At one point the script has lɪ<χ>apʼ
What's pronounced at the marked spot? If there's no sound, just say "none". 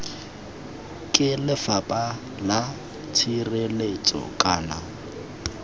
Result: f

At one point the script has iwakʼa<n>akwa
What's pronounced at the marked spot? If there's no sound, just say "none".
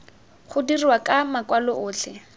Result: m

